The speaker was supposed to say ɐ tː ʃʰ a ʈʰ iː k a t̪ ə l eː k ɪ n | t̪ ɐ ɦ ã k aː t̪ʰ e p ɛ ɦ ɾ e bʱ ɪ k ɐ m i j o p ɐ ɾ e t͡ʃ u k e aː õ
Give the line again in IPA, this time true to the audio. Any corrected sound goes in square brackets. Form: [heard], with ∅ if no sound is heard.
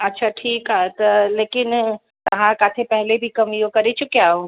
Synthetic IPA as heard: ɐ tː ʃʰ a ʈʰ iː k a t̪ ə l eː k ɪ n | t̪ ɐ ɦ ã k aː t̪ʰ e p ɛ ɦ [l] e bʱ [i] k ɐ m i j o [k] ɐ ɾ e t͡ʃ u k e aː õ